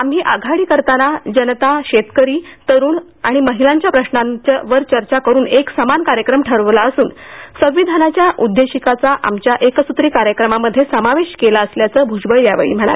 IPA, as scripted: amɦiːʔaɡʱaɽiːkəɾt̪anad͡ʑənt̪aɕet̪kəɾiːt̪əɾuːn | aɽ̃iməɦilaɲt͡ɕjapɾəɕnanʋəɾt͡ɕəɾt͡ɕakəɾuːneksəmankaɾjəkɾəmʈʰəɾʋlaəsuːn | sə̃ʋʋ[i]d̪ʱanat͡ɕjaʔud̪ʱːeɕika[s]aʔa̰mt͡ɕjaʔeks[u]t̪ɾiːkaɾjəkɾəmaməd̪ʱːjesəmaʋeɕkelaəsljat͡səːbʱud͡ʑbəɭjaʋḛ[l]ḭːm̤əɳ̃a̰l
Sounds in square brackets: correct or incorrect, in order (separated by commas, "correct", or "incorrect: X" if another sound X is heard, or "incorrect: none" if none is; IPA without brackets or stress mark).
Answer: correct, incorrect: t͡s, correct, incorrect: ɭ